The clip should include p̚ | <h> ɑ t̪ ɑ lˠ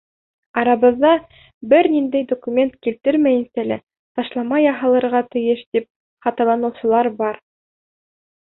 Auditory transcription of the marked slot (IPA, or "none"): χ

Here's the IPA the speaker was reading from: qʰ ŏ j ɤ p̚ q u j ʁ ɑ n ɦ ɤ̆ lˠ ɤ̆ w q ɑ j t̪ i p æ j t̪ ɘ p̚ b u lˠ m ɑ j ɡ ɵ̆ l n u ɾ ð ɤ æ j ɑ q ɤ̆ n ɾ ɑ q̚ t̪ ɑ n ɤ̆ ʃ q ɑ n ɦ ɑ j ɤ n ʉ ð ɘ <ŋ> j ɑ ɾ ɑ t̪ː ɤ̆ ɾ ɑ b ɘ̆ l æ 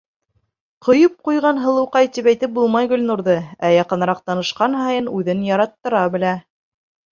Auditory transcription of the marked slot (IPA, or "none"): n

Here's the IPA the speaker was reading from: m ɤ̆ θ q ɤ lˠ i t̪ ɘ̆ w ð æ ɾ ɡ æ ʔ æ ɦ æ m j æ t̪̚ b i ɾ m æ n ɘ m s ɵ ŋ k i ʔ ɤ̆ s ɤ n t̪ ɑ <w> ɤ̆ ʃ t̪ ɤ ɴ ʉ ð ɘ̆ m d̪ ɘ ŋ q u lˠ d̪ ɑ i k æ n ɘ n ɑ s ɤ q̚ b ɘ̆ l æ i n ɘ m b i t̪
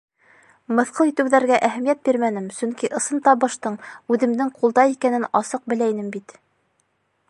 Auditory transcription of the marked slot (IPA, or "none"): β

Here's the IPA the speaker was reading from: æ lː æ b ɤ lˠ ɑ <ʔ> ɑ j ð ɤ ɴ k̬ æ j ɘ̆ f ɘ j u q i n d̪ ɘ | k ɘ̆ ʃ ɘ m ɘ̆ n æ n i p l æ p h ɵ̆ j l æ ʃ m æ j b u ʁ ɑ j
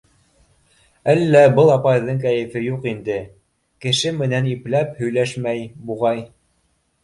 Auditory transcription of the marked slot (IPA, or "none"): p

